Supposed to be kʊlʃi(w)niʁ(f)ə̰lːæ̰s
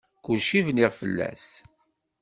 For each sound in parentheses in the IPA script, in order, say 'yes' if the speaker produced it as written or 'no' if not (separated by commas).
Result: no, yes